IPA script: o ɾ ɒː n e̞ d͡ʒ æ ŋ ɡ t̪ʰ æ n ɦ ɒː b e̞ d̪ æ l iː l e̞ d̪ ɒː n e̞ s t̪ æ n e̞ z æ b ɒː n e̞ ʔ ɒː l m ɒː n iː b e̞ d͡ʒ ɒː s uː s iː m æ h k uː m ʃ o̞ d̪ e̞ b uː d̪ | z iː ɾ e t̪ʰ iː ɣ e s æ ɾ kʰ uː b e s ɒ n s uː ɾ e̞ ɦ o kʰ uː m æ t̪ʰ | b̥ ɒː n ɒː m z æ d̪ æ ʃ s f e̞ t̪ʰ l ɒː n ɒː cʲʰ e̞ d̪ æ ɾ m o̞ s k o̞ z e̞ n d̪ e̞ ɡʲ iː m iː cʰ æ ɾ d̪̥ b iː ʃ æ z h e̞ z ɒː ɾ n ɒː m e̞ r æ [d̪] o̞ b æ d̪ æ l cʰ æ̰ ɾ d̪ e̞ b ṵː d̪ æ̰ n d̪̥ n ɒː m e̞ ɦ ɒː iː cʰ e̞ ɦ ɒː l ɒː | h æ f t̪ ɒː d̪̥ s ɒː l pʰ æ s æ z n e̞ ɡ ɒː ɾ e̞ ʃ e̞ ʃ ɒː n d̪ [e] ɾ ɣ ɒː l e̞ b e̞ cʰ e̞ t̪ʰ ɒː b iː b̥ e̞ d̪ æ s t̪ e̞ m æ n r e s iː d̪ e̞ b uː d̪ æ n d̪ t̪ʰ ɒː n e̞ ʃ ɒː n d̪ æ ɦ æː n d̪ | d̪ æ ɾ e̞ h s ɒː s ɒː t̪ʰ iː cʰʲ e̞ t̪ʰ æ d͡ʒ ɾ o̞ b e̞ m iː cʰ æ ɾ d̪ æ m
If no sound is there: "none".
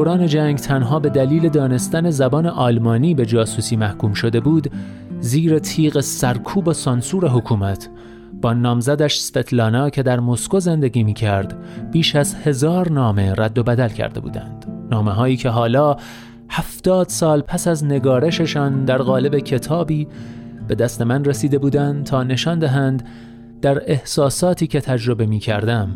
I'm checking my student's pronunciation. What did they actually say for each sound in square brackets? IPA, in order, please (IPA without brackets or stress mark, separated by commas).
d̪ː, æ